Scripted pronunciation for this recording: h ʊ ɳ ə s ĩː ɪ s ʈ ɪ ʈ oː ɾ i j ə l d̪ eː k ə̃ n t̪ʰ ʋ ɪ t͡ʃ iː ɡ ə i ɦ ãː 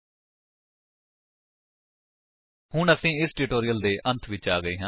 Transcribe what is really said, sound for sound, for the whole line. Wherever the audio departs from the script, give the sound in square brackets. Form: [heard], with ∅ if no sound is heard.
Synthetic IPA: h ʊ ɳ ə s ĩː ɪ s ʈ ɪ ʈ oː ɾ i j ə l d̪ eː [ʔ] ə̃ n t̪ʰ ʋ ɪ t͡ʃ [aː] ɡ ə [iː] ɦ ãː